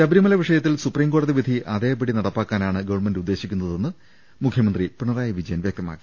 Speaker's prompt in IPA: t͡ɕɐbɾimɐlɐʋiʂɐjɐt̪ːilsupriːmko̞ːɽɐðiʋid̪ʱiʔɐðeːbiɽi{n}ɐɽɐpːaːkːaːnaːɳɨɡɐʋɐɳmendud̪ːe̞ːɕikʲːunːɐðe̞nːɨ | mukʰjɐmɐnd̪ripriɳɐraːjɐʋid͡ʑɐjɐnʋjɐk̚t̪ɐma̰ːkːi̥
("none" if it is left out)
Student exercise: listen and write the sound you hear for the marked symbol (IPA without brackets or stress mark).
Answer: n